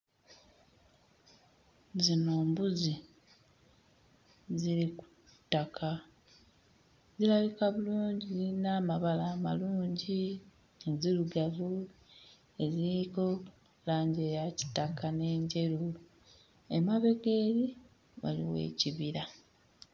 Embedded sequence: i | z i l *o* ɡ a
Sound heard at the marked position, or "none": u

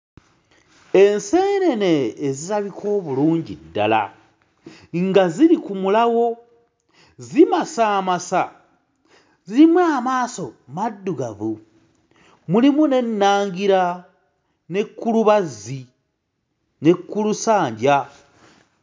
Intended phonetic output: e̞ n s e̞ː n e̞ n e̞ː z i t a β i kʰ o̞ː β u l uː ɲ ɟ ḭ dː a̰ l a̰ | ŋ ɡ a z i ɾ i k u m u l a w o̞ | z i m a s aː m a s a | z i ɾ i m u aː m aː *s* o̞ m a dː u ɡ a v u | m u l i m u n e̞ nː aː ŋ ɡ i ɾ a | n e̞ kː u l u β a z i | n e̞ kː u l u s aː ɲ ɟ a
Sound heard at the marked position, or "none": s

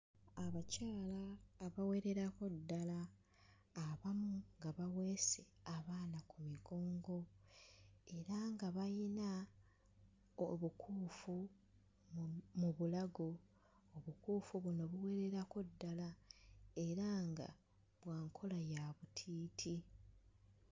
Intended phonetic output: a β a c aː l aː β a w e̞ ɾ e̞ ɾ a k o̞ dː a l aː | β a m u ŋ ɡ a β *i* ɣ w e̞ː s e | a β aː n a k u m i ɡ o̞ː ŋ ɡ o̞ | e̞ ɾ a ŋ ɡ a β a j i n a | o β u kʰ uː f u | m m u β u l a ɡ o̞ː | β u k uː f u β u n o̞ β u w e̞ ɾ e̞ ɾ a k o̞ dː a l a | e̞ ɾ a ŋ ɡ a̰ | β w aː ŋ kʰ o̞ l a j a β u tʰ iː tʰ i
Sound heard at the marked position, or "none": a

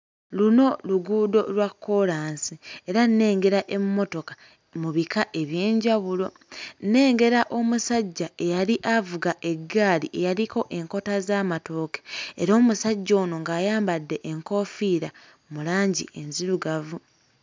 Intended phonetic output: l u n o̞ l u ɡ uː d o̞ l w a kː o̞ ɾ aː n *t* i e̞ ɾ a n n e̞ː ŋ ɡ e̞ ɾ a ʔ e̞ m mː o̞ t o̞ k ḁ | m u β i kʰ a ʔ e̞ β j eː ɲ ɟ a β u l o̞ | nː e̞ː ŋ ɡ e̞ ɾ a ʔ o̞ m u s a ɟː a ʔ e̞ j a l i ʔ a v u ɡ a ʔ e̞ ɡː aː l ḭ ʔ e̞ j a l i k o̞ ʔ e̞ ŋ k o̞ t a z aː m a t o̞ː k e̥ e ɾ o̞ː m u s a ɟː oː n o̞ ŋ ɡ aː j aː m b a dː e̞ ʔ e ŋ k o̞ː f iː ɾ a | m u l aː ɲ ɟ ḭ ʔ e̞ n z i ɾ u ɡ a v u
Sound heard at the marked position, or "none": s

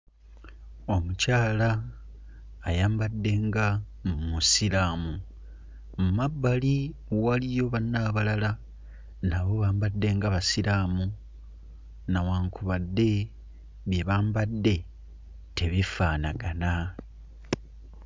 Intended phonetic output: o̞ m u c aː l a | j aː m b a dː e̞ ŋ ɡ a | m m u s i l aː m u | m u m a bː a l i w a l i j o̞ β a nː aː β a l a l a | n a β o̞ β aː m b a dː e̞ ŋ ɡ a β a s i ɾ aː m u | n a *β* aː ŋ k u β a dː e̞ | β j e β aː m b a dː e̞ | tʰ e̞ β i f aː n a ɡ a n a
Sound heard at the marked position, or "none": w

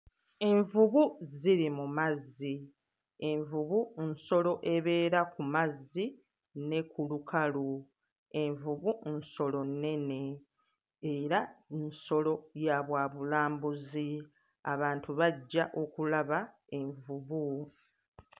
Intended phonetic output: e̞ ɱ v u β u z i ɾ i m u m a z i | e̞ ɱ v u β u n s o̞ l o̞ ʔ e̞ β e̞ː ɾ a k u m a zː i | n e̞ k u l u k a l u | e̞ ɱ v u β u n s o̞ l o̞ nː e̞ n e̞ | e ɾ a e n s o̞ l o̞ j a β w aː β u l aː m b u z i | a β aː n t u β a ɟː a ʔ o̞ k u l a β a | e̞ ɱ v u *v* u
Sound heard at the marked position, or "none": β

